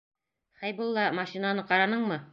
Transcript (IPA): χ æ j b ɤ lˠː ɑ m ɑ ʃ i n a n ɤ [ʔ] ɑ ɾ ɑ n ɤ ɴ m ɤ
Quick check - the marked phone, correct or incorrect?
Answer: incorrect